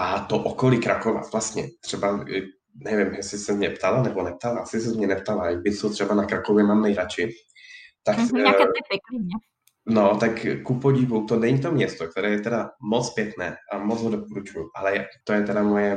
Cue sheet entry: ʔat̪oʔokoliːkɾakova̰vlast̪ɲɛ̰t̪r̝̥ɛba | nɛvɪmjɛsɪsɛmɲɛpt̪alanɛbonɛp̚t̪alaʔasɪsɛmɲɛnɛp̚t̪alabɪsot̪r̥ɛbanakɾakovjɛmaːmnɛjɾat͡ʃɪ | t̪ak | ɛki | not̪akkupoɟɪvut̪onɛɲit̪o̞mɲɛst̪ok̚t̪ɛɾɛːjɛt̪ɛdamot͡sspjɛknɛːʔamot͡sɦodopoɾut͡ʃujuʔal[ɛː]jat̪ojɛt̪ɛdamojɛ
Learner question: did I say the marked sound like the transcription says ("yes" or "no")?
no